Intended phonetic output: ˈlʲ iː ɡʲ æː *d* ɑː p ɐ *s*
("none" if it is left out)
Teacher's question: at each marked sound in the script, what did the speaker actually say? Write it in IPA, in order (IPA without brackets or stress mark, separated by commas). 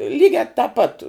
t, t